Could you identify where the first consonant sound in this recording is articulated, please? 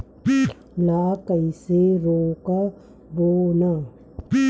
alveolar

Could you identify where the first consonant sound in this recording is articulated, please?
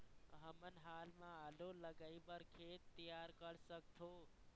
glottal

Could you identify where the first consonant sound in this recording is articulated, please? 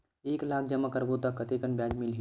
velar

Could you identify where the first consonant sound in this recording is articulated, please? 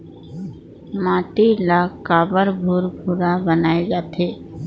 labial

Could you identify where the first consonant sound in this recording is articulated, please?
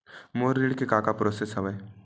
labial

